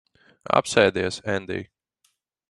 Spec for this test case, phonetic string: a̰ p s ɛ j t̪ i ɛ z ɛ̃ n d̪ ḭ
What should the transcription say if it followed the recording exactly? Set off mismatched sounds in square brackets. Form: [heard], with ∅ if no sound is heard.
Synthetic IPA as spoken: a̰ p s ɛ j [d̪] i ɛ [s] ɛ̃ n d̪ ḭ